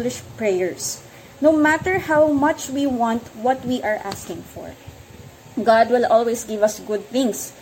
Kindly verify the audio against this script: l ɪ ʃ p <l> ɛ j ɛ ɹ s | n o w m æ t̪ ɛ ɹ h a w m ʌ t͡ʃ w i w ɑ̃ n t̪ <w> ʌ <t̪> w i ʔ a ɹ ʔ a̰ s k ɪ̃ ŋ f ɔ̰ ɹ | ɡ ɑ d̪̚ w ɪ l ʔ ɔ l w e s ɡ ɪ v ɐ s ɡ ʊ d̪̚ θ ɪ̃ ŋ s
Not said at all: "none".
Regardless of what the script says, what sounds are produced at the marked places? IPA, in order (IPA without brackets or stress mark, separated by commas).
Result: ɹ, w, t̪